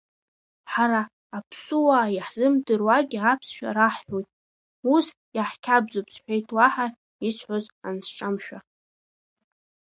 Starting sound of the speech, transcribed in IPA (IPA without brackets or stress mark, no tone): ħ